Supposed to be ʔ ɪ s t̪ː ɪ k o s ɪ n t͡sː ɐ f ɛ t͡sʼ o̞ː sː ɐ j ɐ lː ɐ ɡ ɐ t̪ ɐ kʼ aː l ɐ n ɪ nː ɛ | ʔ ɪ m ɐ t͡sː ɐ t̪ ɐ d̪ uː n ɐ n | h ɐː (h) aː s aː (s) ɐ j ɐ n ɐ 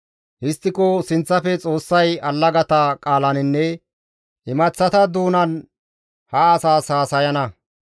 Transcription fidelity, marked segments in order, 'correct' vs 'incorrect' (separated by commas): incorrect, correct